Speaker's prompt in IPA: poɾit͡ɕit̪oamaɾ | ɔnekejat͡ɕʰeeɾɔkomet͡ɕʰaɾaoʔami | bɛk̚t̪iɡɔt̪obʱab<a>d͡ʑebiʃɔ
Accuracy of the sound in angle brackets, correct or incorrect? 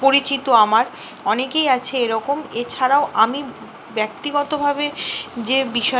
incorrect